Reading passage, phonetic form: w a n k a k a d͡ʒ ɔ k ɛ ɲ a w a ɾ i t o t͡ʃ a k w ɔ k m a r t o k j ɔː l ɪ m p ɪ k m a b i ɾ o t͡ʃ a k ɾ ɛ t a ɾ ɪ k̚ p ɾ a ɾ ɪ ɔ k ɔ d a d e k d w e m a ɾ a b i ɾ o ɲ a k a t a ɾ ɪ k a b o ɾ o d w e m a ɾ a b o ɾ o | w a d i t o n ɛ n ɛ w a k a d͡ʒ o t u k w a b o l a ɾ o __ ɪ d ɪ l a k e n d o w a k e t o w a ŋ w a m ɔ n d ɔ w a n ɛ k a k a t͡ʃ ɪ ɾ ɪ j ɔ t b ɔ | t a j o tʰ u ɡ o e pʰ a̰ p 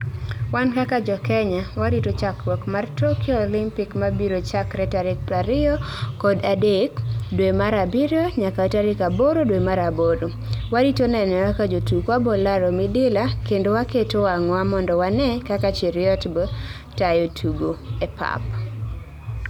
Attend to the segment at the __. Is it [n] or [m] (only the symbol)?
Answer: m